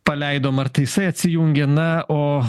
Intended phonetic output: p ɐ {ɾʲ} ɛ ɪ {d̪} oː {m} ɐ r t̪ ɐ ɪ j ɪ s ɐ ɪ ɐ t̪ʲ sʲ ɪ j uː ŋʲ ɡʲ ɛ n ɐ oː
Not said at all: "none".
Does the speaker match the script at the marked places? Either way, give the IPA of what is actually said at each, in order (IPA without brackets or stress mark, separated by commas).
lʲ, d̪, m